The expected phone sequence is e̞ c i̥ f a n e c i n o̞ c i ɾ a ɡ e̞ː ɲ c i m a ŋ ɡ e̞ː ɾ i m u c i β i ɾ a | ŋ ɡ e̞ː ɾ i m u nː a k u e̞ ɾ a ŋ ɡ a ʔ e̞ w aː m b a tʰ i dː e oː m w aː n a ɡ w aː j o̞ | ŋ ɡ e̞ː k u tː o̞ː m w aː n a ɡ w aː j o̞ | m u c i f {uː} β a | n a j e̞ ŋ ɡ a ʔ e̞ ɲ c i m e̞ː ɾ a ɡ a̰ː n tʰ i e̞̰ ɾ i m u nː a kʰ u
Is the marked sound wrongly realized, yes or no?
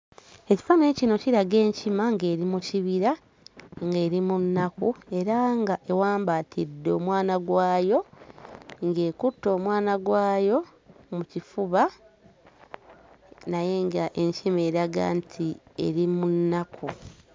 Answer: yes